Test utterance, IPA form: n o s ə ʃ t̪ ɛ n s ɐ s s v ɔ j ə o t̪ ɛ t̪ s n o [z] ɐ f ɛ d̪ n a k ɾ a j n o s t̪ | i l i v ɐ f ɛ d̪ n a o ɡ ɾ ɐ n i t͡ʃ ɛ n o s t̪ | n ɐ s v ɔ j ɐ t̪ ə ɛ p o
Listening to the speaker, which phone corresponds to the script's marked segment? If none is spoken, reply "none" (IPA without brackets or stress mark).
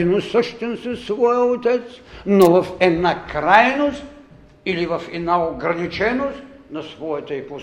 v